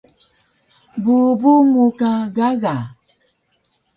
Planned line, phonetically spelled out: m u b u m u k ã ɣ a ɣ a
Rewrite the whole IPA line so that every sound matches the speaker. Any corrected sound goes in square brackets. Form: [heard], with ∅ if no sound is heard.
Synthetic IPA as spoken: [b] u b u m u k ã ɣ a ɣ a